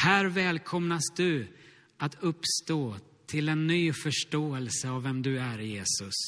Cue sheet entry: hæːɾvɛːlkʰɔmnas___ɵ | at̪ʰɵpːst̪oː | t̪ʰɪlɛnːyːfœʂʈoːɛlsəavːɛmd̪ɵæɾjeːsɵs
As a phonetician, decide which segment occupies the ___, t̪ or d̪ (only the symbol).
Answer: d̪